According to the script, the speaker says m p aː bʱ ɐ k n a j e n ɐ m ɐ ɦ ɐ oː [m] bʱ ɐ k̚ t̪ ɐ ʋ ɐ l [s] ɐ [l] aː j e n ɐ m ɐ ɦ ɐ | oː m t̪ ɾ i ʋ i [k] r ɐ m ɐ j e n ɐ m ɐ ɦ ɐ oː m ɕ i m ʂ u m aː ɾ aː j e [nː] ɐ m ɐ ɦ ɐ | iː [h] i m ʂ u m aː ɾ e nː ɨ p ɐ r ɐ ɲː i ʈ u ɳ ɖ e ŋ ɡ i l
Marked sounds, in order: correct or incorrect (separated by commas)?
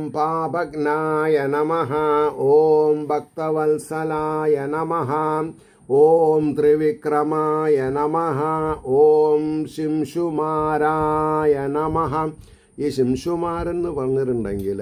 correct, correct, correct, correct, incorrect, incorrect